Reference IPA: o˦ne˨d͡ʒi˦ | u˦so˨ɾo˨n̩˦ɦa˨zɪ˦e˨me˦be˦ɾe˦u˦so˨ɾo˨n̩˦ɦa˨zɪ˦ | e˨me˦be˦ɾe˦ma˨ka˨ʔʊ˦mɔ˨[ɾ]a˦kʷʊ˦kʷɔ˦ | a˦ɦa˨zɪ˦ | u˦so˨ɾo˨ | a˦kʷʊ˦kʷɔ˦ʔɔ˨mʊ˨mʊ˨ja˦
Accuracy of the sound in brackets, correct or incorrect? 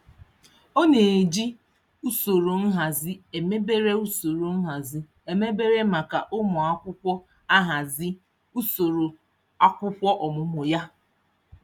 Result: incorrect